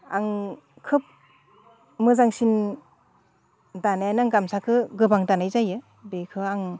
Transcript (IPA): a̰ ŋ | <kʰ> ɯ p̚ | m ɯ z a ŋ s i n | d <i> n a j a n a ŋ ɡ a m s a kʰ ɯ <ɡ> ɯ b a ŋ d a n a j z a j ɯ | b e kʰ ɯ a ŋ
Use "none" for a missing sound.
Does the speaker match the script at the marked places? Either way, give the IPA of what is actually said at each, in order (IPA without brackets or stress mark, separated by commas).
kʰ, a, ɡ